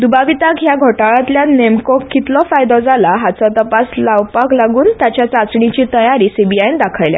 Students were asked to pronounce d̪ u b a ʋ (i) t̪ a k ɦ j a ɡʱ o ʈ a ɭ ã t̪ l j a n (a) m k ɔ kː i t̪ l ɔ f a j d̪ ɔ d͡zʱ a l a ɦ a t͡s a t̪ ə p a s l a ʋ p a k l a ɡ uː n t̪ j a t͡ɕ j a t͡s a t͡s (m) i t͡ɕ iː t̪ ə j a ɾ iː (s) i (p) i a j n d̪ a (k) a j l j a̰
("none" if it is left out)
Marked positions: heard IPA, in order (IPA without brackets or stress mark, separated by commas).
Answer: i, e, ɳ, s, b, kʰ